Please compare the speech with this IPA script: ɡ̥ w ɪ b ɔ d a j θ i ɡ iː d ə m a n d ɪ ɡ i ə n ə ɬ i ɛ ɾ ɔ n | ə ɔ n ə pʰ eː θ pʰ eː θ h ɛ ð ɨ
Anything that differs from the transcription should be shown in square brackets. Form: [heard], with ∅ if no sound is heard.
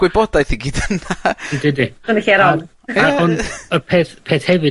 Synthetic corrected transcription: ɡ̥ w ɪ b ɔ d a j θ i ɡ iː d ə [n] a n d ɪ [d] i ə n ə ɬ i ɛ ɾ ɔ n | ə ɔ n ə pʰ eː θ pʰ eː θ h ɛ [v] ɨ